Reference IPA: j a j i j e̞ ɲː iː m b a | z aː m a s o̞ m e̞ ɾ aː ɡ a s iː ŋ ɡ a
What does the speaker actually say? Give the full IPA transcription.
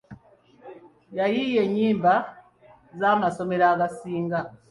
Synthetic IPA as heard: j a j i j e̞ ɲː iː m b a | z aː m a s o̞ m e̞ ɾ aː ɡ a s iː ŋ ɡ a